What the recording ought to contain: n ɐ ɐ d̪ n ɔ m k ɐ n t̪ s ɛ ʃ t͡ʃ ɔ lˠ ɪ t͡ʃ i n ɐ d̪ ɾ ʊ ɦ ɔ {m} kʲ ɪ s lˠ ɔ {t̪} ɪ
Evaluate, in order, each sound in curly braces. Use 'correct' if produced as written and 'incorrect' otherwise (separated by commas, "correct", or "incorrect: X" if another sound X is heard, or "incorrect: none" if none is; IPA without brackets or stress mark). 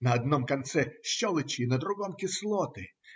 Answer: correct, correct